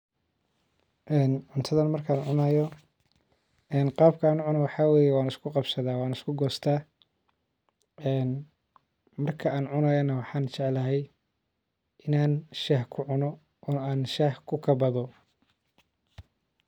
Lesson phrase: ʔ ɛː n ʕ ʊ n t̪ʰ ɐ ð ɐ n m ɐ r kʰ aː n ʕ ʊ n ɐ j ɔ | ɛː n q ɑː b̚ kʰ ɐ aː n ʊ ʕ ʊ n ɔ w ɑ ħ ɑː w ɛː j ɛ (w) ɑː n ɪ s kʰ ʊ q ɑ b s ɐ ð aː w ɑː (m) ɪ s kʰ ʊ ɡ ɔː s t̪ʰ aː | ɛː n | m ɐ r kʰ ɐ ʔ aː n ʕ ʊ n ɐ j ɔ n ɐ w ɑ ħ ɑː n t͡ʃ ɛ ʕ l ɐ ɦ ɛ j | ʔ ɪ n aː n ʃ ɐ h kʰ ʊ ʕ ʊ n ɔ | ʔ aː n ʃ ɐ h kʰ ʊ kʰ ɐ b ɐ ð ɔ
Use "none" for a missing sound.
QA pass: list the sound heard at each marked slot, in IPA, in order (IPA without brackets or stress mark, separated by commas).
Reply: w, n